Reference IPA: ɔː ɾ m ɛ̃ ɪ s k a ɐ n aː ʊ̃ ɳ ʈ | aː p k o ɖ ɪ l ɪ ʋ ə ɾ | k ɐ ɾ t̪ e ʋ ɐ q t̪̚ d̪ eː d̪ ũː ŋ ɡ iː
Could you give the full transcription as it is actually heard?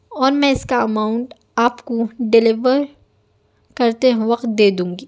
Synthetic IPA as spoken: ɔː ɾ m ɛ̃ ɪ s k a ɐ m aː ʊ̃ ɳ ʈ | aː p k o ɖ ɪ l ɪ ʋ ə ɾ | k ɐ ɾ t̪ e ʋ ɐ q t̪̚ d̪ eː d̪ ũː ŋ ɡ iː